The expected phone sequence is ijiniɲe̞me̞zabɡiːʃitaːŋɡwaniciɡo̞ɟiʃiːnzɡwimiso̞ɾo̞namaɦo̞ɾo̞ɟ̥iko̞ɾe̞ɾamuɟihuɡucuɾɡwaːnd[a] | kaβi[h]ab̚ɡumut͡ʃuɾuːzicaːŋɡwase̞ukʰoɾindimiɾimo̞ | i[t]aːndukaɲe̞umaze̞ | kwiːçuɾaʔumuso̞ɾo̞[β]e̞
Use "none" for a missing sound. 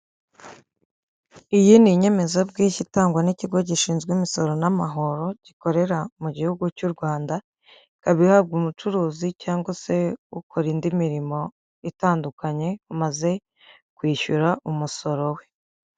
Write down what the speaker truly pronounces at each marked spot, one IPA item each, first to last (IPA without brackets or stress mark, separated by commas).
a, h, t, w